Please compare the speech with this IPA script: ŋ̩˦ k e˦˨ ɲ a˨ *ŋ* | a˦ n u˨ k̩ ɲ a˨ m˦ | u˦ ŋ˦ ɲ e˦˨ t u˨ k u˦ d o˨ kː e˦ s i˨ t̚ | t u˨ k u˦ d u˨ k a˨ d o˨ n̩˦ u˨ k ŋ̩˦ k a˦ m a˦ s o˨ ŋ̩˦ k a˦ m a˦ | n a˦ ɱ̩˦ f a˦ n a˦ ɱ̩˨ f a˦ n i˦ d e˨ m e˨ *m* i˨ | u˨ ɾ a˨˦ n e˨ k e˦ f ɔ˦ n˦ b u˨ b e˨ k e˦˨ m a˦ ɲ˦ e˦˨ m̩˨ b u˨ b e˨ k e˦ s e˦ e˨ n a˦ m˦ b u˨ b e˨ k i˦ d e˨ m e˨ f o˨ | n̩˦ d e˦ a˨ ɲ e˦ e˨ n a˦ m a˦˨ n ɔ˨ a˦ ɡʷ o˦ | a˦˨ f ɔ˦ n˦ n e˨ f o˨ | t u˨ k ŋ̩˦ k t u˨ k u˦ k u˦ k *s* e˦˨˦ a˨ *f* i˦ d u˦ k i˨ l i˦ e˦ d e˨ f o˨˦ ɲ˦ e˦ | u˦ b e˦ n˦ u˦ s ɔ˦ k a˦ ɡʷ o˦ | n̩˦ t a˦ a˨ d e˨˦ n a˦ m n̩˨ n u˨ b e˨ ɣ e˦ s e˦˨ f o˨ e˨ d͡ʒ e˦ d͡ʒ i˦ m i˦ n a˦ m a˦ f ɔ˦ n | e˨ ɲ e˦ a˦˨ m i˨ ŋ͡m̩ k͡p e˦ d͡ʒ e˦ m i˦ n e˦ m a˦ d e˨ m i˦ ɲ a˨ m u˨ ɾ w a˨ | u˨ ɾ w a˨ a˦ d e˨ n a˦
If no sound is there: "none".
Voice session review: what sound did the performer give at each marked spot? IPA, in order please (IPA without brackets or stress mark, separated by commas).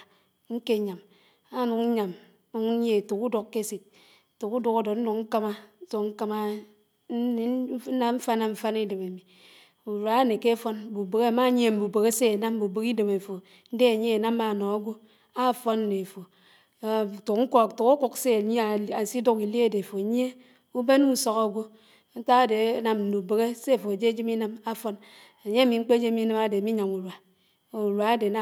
m, m, s, s